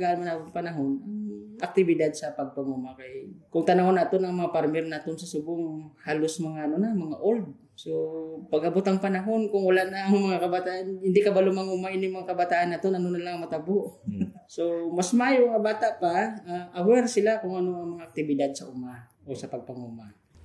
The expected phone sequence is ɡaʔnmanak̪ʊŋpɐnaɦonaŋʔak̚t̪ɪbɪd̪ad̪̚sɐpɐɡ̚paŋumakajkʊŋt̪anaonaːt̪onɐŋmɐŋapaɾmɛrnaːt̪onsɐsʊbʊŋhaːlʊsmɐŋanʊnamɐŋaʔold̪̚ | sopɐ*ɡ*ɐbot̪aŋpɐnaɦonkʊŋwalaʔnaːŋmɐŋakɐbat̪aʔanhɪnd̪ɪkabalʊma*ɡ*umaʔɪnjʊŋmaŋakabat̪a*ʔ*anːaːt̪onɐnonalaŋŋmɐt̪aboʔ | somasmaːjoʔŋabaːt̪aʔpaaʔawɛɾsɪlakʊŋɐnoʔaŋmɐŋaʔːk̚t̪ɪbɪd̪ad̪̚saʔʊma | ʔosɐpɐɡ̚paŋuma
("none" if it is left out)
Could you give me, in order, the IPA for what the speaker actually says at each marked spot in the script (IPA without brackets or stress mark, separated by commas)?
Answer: ɡ, ŋ, ʔ